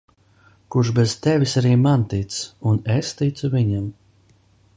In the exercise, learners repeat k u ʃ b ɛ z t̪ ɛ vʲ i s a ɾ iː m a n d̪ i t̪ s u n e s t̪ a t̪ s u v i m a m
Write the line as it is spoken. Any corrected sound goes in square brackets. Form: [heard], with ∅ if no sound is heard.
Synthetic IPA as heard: k u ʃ b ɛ z t̪ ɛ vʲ i s a ɾ iː m a n [t̪] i t̪ s u n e s t̪ [i] t̪ s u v i [ɲ] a m